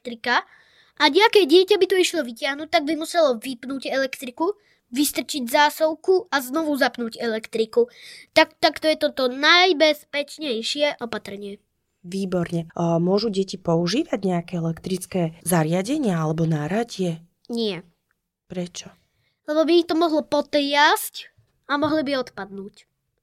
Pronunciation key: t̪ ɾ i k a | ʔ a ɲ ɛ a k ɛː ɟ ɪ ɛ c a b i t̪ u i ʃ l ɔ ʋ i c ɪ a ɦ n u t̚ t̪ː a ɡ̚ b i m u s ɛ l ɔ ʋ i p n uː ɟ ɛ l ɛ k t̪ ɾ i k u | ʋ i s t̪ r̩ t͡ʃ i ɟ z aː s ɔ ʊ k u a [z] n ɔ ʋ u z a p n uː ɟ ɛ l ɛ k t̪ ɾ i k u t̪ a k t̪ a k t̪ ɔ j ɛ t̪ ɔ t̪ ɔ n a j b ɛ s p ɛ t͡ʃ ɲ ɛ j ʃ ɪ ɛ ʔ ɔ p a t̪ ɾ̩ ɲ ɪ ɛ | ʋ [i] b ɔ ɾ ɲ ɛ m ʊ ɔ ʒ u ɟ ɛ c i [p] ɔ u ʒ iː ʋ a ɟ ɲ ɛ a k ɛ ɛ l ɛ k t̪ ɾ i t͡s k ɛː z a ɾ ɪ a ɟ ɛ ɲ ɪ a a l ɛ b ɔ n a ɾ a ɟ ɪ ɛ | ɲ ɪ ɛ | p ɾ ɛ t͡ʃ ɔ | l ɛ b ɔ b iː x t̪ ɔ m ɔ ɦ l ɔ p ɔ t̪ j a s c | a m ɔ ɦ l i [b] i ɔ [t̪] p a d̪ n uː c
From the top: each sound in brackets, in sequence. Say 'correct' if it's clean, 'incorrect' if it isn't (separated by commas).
correct, incorrect, correct, correct, correct